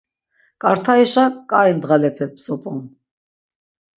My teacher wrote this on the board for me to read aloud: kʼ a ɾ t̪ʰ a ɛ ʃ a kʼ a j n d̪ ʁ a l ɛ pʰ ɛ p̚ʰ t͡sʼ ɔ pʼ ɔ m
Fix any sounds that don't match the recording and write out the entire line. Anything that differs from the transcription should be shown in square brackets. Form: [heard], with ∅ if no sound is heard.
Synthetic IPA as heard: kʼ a ɾ t̪ʰ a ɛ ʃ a kʼ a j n d̪ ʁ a l ɛ pʰ ɛ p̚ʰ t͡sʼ ɔ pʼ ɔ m